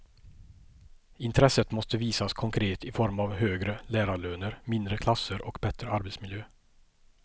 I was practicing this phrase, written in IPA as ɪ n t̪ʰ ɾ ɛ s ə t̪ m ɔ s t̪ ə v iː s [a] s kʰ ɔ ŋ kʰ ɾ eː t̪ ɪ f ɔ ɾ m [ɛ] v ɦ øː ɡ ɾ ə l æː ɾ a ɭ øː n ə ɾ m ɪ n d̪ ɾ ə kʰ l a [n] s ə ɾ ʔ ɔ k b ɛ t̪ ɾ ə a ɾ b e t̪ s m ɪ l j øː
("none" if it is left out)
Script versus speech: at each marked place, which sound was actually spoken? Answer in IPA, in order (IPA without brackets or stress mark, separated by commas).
a, a, none